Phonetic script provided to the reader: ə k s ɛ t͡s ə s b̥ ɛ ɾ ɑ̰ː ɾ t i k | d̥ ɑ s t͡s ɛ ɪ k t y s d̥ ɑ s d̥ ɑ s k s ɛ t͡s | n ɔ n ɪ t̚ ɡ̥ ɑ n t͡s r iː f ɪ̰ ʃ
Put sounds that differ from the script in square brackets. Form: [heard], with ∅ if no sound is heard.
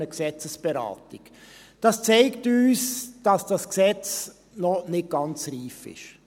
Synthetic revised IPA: ə k s ɛ t͡s ə s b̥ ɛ ɾ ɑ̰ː [∅] t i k | d̥ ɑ s t͡s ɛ ɪ k t [yː] s d̥ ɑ s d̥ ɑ s k s ɛ t͡s | n ɔ n ɪ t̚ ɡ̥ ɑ n t͡s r iː f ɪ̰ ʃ